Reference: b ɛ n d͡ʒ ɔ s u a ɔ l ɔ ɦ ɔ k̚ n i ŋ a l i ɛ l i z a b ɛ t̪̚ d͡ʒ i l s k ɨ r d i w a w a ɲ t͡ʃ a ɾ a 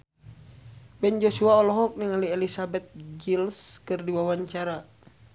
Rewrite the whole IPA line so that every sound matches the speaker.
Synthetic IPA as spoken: b ɛ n d͡ʒ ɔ s u a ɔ l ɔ ɦ ɔ k̚ n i ŋ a l i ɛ l i s a b ɛ t̪̚ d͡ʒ i l s k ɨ r d i w a w a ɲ t͡ʃ a ɾ a